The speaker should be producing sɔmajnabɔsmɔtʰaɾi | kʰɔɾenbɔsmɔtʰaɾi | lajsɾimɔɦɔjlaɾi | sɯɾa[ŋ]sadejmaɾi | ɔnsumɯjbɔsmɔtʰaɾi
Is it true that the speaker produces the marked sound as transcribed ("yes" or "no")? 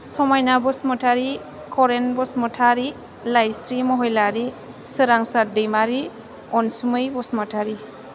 yes